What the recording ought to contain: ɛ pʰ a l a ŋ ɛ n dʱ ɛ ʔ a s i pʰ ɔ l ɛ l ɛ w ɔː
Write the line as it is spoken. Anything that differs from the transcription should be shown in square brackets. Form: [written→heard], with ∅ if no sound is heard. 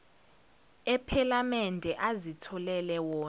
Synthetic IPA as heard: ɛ pʰ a l a [ŋ→m] ɛ n dʱ ɛ ʔ a [s→z] i [pʰ→tʰ] ɔ l ɛ l ɛ w ɔː